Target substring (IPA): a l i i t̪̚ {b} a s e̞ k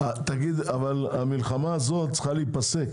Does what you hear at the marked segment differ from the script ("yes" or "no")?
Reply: yes